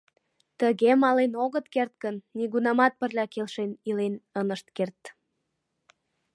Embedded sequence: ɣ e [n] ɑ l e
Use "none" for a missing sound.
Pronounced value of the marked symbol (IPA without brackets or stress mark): m